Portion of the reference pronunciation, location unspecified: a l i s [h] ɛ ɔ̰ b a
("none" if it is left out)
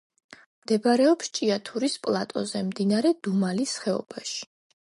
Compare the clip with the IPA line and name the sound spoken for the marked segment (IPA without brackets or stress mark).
χ